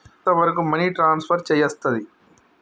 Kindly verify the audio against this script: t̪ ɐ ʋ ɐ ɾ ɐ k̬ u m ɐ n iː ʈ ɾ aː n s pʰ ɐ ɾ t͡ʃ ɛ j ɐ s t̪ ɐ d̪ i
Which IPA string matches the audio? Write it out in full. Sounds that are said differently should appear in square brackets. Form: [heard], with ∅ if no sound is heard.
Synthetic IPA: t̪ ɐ ʋ ɐ ɾ ɐ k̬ u m ɐ n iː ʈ ɾ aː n s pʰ ɐ ɾ t͡ʃ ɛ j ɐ s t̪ ɐ d̪ i

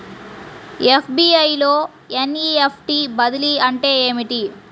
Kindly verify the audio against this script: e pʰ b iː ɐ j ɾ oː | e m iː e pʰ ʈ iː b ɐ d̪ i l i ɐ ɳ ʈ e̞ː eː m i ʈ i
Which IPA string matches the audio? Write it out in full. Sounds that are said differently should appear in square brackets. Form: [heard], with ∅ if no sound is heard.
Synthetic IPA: e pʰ b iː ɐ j [l] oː | e [n] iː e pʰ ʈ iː b ɐ d̪ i l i ɐ ɳ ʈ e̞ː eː m i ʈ i

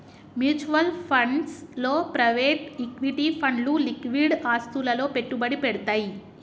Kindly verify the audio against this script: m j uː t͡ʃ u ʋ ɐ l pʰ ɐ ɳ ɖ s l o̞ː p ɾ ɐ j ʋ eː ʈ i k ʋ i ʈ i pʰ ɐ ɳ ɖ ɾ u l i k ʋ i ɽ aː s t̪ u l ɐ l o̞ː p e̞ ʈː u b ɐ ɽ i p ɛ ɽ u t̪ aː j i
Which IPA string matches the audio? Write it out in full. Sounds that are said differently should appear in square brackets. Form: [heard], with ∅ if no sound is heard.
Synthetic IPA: m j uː t͡ʃ u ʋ ɐ l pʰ ɐ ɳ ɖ s l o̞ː p ɾ ɐ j ʋ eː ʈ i k ʋ i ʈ i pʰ ɐ ɳ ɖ [l] u l i k ʋ i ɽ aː s t̪ u l ɐ l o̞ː p e̞ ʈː u b ɐ ɽ i p ɛ ɽ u t̪ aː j i

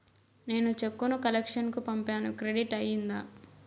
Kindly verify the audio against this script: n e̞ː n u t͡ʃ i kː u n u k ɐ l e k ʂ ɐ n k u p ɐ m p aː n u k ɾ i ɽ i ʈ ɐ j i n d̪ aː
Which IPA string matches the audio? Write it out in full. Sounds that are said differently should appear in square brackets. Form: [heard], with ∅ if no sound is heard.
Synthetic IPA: n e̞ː n u t͡ʃ [e] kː u n u k ɐ l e k ʂ ɐ n k u p ɐ m p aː n u k ɾ [e] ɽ i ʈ ɐ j i n d̪ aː

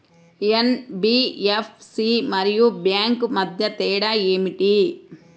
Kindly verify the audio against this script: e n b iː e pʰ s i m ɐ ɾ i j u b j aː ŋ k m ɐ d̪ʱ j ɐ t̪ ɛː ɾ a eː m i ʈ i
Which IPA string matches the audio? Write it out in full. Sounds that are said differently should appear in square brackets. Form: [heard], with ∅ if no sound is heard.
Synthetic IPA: e n b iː e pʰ s i m ɐ ɾ i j u b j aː ŋ k m ɐ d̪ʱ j ɐ t̪ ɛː [ɽ] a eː m i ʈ i

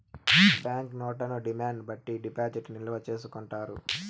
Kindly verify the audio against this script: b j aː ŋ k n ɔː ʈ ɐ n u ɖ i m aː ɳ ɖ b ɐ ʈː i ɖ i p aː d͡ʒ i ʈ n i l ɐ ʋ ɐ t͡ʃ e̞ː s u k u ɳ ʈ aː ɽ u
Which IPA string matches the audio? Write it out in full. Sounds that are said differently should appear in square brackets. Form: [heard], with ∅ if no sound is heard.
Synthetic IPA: b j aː ŋ k n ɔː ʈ ɐ n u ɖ i m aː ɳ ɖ b ɐ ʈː i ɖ i p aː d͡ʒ i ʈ n i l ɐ ʋ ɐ t͡ʃ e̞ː s u k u ɳ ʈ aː [ɾ] u

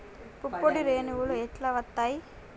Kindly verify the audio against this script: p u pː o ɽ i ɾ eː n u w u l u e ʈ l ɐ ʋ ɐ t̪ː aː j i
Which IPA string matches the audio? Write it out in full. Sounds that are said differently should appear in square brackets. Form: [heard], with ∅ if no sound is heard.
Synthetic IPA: p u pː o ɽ i ɾ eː n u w u l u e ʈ l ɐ ʋ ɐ t̪ː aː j i

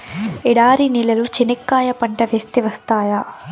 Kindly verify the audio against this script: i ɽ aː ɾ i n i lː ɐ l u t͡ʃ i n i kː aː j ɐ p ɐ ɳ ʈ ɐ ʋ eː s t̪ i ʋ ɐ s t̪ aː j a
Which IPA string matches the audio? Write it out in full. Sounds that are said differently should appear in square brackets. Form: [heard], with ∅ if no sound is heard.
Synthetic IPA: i ɽ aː ɾ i n i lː ɐ l u t͡ʃ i n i kː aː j ɐ p ɐ ɳ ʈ ɐ ʋ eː s t̪ i ʋ ɐ s t̪ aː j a

